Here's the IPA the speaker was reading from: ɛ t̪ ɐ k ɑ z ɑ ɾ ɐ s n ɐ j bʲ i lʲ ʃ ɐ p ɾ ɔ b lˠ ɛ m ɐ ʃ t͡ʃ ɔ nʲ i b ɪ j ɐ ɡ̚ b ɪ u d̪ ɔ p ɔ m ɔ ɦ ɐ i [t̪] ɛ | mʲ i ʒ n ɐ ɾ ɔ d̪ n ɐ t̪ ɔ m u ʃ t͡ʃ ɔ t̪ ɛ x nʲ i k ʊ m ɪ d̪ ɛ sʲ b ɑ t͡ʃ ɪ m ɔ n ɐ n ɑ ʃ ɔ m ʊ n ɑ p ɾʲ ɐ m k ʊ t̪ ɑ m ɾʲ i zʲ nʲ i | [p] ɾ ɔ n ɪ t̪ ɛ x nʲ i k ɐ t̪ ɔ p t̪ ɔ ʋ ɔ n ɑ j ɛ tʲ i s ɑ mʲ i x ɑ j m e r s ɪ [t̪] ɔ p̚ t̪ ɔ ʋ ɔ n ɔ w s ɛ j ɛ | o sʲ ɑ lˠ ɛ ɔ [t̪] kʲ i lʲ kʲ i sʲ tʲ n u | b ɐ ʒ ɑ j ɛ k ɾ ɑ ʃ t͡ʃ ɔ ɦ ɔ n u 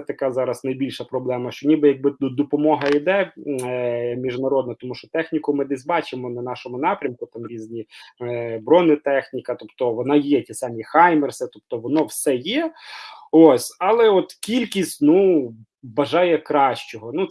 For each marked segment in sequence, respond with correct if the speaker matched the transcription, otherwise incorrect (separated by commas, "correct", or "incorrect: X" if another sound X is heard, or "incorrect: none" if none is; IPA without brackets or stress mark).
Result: incorrect: d̪, incorrect: b, correct, correct